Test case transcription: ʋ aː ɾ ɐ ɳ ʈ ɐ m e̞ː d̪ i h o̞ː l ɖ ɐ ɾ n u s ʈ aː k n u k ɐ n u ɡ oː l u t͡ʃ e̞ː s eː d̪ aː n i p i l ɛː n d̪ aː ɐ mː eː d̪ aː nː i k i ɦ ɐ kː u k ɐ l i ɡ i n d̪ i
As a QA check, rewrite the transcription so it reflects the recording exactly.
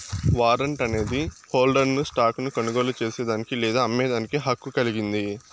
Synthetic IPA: ʋ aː ɾ ɐ ɳ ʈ ɐ n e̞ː d̪ i h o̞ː l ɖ ɐ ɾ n u s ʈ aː k n u k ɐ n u ɡ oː l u t͡ʃ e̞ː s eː d̪ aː n i k i l ɛː d̪ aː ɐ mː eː d̪ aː n i k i ɦ ɐ kː u k ɐ l i ɡ i n d̪ i